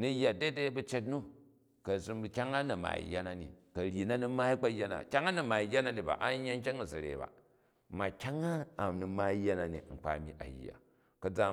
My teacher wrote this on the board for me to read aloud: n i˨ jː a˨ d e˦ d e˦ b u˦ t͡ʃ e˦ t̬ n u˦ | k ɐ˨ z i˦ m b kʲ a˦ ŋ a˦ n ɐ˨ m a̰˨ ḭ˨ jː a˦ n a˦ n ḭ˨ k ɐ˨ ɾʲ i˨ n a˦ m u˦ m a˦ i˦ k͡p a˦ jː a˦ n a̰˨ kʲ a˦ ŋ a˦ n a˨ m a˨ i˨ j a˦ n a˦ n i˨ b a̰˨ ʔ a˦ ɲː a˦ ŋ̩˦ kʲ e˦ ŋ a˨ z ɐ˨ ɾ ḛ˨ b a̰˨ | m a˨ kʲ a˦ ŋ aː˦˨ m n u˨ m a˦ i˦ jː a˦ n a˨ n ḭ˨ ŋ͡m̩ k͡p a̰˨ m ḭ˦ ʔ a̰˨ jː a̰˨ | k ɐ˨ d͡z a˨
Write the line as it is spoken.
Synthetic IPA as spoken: n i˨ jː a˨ d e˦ d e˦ b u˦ t͡ʃ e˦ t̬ n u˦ | k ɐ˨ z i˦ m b kʲ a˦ ŋ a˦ n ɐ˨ m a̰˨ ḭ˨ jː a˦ n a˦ n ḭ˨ k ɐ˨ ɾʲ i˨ n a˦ n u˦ m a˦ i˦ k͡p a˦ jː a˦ n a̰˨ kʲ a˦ ŋ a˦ n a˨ m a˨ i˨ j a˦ n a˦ n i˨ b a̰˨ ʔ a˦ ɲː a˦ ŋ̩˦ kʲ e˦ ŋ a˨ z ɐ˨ ɾ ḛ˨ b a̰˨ | m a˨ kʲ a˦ ŋ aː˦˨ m n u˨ m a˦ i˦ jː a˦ n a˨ n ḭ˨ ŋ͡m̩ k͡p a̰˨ m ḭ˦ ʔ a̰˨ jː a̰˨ | k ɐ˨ d͡z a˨